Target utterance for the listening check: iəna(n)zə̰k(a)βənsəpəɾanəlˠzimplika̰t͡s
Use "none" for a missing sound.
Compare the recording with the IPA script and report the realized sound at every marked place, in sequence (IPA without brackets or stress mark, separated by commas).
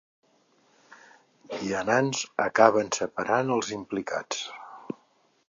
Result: n, a